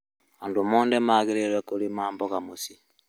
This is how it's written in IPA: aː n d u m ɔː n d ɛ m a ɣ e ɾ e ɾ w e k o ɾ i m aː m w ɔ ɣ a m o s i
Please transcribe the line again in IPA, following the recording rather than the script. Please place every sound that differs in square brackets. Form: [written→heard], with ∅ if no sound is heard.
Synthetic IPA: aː n d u m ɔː n d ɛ m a ɣ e ɾ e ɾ w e k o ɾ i m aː m [w→b] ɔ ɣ a m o s i

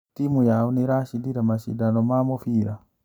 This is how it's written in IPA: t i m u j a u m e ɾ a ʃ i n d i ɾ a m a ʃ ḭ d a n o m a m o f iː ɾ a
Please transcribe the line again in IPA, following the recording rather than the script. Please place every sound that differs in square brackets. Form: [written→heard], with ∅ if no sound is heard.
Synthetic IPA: t i m u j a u [m→n] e ɾ a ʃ i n d i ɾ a m a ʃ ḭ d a n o m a m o f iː ɾ a

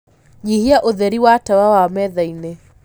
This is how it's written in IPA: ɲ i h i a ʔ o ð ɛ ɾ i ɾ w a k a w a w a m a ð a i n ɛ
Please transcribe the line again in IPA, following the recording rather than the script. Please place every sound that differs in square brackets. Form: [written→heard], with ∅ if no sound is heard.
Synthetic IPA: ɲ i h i a ʔ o ð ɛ ɾ i [ɾ→∅] w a [k→t] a w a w a m [a→ɛ] ð a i n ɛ

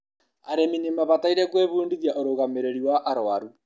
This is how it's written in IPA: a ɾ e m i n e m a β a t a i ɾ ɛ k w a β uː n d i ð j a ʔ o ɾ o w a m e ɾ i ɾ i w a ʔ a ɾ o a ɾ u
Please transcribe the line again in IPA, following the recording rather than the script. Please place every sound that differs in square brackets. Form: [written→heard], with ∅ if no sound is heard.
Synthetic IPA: a ɾ e m i n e m a β a t a i ɾ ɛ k w [a→e] β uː n d i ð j a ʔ o ɾ o [w→ɣ] a m e ɾ [i→e] ɾ i w a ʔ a ɾ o a ɾ u

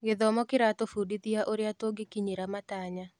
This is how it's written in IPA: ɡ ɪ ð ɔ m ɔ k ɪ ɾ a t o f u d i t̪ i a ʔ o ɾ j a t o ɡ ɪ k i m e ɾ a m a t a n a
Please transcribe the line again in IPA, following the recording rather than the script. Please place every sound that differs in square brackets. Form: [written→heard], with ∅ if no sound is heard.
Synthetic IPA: ɡ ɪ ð ɔ m ɔ k ɪ ɾ a t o f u d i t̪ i a ʔ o ɾ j a t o ɡ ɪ k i [m→ɲ] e ɾ a m a t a [n→ɲ] a

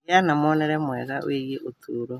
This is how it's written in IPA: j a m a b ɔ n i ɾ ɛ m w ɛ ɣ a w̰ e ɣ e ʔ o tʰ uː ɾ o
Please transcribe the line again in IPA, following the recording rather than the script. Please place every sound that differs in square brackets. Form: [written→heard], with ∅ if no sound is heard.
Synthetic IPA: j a [m→n] a [b→m] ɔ n [i→ɛ] ɾ ɛ m w ɛ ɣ a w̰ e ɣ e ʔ o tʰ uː ɾ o

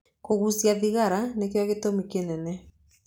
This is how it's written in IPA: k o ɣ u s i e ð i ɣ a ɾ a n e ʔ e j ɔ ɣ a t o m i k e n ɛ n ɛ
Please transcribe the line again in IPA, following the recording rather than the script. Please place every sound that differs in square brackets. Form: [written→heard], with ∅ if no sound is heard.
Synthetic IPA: k o ɣ u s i [e→a] ð i ɣ a ɾ a n e [ʔ→k] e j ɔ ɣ [a→e] t o m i k e n ɛ n ɛ

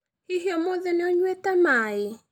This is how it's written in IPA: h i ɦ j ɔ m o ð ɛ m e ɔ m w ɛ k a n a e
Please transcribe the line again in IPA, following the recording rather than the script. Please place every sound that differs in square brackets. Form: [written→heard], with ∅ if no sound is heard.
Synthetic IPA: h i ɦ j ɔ m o ð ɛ [m→n] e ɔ [m→ɲ] w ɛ [k→t] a [n→m] a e

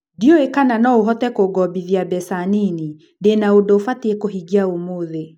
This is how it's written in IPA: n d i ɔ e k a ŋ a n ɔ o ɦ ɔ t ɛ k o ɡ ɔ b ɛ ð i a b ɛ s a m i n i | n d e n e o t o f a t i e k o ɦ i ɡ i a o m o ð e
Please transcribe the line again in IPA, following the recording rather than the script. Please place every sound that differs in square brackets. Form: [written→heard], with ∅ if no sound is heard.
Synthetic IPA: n d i ɔ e k a [ŋ→n] a n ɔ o ɦ ɔ t ɛ k o ɡ ɔ b [ɛ→i] ð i a b ɛ s a [m→n] i n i | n d e n [e→a] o [t→d] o f a t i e k o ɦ i ɡ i a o m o ð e

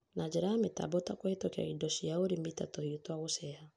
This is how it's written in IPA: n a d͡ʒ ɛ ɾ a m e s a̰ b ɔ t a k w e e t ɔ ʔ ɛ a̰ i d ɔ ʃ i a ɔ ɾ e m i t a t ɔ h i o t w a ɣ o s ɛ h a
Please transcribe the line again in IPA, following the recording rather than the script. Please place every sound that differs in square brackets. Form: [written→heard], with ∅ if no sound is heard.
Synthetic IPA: n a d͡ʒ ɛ ɾ a m e [s→t] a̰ b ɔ t a k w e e t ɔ [ʔ→k] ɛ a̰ i d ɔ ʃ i a [ɔ→o] ɾ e m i t a t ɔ h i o t w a ɣ o s ɛ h a

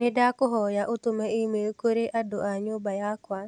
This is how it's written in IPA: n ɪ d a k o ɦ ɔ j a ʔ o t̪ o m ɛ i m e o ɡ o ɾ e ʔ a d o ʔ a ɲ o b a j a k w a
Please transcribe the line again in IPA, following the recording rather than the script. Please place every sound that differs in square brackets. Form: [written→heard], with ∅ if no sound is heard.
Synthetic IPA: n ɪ d a k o ɦ ɔ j a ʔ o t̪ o m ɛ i m e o [ɡ→k] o ɾ e ʔ a d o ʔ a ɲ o b a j a k w a

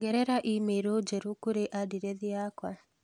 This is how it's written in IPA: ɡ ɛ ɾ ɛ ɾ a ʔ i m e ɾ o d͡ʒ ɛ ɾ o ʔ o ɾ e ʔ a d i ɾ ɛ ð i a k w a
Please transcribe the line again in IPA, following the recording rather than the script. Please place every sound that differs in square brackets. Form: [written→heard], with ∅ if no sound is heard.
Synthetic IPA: ɡ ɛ ɾ ɛ ɾ a ʔ i m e ɾ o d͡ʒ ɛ ɾ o [ʔ→k] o ɾ e ʔ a d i ɾ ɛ ð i a k w a

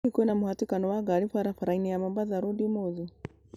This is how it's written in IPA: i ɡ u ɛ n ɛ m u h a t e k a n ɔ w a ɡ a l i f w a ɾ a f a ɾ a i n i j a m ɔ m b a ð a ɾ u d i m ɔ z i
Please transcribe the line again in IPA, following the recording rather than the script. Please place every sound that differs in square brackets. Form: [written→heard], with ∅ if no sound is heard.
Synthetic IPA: i [ɡ→k] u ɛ n [ɛ→a] m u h a t [e→i] k a n ɔ w a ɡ a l i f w a ɾ a f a ɾ a i n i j a m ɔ m b a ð a ɾ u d i m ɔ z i

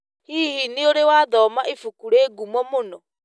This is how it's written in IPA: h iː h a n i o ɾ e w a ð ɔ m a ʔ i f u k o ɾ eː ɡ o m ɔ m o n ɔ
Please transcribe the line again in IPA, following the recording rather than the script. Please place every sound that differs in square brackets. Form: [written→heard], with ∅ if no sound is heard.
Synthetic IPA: h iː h [a→i] n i o ɾ e w a ð ɔ m a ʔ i f u k [o→u] ɾ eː ɡ [o→u] m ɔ m o n ɔ

